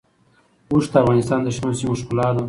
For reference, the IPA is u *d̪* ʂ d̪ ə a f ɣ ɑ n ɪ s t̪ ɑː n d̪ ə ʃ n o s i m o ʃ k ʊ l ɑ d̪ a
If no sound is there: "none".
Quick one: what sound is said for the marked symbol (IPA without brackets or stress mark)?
none